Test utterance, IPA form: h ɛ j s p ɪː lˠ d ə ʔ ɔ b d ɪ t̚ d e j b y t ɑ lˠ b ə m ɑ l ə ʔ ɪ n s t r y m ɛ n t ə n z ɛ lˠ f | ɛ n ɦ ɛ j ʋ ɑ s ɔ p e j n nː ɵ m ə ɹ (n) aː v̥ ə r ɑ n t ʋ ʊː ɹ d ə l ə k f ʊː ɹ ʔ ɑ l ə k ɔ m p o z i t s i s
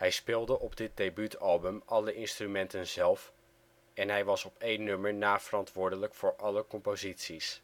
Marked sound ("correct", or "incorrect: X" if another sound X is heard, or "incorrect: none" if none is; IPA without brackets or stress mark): correct